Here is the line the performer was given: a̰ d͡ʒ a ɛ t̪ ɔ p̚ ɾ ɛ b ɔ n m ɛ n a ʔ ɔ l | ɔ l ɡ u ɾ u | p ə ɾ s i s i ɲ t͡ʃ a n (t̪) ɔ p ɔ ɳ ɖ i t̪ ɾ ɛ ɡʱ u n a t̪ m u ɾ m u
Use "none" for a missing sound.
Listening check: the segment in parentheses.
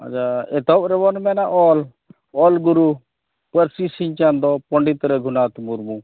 d̪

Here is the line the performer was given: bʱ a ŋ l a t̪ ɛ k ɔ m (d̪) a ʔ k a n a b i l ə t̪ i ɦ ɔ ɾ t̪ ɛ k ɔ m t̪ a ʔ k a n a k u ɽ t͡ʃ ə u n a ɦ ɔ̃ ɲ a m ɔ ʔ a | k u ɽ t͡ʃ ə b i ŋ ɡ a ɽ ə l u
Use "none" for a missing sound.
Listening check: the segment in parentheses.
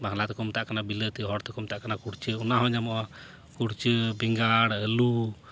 t̪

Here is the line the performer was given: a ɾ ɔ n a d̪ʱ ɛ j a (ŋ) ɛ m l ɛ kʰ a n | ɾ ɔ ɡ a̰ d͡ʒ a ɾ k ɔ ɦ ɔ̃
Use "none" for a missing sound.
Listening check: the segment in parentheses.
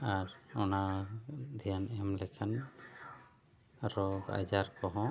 n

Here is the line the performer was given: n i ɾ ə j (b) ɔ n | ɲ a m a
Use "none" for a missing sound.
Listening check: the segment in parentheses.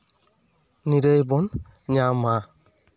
b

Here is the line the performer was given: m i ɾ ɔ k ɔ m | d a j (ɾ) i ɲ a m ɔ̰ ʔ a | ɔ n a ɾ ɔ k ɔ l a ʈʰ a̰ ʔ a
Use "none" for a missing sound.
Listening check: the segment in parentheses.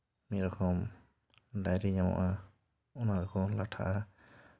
ɾ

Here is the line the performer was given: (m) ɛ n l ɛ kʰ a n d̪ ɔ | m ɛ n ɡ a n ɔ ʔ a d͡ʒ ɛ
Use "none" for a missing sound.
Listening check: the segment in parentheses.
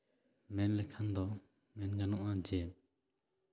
m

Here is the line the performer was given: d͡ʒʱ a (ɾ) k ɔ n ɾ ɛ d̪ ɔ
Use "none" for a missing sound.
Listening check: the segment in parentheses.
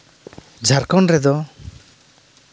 ɾ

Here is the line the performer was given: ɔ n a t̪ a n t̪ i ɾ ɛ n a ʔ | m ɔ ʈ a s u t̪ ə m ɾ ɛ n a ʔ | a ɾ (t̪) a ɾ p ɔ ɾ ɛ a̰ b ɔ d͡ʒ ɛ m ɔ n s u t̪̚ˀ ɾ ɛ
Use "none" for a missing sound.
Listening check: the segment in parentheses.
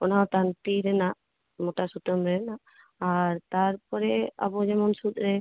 t̪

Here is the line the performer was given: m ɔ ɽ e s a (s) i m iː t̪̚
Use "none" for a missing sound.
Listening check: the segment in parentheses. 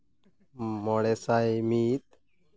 none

